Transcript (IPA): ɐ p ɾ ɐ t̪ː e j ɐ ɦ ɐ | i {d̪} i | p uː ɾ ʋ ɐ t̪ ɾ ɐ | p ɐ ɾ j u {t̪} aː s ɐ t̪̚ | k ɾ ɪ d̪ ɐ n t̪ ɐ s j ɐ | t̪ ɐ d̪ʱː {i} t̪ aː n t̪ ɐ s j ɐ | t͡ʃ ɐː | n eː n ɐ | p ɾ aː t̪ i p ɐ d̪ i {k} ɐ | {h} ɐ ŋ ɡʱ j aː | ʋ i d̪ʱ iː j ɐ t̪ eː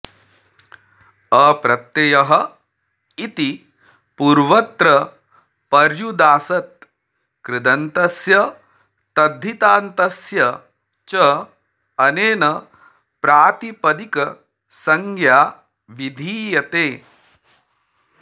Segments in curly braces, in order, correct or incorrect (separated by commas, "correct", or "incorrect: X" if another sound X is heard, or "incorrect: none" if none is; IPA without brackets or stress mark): incorrect: t̪, incorrect: d̪, correct, correct, incorrect: s